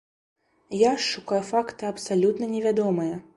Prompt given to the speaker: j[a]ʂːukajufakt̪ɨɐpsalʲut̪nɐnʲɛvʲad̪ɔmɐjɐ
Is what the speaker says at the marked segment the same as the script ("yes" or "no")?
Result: yes